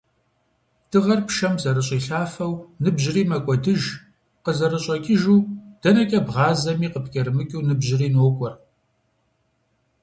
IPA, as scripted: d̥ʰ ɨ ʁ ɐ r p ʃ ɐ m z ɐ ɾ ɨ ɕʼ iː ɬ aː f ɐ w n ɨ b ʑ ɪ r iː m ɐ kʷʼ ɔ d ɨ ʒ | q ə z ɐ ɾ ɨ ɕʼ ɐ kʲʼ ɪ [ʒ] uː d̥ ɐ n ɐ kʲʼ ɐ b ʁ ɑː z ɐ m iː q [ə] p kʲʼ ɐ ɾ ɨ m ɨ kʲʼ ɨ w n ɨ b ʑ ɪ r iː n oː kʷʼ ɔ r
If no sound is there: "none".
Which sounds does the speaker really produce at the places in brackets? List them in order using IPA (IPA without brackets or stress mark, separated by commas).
ʒ, ə